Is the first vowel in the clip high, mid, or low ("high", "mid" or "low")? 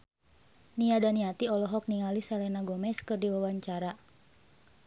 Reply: high